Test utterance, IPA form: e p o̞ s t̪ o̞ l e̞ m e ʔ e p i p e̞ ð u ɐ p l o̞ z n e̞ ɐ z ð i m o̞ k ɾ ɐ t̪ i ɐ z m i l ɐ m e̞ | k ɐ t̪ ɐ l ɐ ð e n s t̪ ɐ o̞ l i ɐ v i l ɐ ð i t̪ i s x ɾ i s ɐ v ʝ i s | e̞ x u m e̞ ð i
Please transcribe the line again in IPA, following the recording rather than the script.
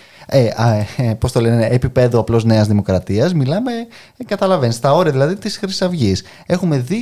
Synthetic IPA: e p o̞ s t̪ o̞ l e̞ n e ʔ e p i p e̞ ð u ɐ p l o̞ z n e̞ ɐ z ð i m o̞ k ɾ ɐ t̪ i ɐ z m i l ɐ m e̞ | k ɐ t̪ ɐ l ɐ v e n s t̪ ɐ o̞ ɾ i ɐ ð i l ɐ ð i t̪ i s x ɾ i s ɐ v ʝ i s | e̞ x u m e̞ ð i